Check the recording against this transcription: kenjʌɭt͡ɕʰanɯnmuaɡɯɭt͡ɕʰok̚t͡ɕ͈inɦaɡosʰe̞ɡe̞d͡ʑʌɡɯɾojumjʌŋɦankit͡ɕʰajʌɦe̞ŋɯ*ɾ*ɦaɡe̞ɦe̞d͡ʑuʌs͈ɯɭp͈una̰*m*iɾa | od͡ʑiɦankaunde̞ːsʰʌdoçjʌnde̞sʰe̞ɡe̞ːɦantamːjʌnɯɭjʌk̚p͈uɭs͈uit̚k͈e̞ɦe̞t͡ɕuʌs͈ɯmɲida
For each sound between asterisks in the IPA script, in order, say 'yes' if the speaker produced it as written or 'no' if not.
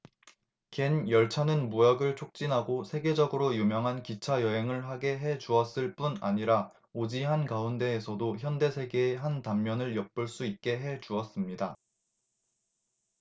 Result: no, no

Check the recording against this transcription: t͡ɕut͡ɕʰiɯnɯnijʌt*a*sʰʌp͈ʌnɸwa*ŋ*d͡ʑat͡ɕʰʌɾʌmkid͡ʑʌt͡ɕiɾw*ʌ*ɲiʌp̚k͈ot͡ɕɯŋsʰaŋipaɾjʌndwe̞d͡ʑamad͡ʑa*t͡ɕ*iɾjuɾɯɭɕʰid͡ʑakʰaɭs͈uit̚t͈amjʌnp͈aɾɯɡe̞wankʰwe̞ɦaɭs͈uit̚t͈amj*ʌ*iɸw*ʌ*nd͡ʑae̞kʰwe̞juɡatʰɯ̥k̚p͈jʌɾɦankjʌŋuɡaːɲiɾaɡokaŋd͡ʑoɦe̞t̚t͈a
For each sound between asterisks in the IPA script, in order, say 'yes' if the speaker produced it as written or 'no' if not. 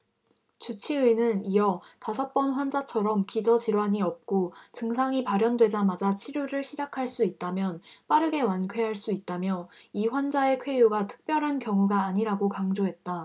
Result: yes, no, no, no, yes, no

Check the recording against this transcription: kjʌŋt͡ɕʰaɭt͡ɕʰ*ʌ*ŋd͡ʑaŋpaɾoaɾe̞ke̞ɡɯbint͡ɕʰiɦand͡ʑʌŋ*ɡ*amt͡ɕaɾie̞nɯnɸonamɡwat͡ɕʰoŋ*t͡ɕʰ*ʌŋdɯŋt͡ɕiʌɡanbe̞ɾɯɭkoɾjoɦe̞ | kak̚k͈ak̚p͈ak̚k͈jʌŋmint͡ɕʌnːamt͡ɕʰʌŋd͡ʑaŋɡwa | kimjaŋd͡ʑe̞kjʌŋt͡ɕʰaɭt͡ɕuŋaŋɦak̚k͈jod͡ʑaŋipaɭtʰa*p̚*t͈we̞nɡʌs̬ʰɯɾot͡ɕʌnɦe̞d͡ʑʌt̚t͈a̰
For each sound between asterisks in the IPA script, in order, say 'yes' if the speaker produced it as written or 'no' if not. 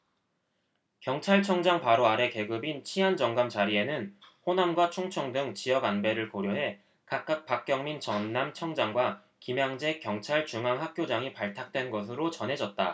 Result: yes, yes, yes, no

